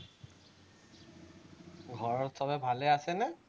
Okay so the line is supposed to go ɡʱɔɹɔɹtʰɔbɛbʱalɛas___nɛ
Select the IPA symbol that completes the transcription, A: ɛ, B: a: A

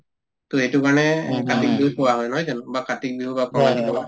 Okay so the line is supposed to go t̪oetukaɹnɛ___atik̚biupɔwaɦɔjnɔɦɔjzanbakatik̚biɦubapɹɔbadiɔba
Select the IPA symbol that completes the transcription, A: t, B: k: B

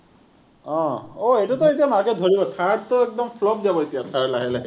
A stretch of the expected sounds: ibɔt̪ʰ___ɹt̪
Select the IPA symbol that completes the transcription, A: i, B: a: B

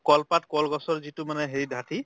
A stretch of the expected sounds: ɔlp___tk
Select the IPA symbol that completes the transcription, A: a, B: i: A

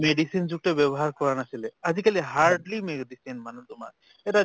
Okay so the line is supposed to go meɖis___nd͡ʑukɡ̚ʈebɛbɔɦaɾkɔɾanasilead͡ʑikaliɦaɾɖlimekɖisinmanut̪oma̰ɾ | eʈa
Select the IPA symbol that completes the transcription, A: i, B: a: A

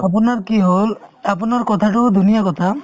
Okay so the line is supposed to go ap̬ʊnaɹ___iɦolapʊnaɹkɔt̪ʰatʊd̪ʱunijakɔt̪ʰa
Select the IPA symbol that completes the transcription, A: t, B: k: B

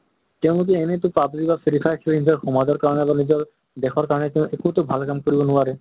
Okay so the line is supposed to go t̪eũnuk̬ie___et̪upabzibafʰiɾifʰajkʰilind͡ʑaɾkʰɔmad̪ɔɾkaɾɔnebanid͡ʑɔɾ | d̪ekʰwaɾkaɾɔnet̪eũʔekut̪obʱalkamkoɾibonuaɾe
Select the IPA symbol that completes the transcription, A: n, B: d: A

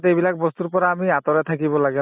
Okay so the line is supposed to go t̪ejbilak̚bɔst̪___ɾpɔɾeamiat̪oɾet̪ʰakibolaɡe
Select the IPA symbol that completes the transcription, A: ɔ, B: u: B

